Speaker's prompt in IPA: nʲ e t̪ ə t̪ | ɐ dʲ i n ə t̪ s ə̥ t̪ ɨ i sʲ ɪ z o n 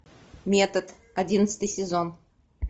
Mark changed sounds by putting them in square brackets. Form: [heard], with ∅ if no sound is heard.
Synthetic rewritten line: [mʲ] e t̪ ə t̪ | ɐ dʲ i n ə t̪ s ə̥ t̪ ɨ [j] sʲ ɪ z o n